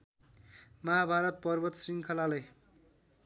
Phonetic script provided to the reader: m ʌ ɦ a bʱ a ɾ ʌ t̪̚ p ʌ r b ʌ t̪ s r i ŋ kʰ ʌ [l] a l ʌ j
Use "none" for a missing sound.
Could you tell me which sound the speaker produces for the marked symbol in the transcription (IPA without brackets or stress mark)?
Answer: l